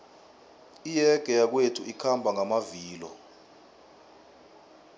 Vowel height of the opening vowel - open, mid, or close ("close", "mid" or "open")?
close